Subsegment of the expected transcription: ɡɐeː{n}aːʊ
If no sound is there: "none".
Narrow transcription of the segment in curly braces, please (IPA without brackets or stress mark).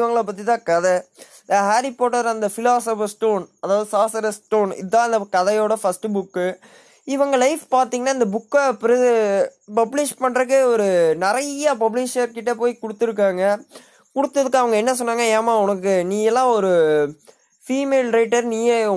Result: m